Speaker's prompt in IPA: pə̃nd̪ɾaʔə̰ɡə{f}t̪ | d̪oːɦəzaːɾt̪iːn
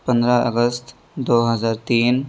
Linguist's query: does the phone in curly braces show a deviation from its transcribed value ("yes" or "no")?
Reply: yes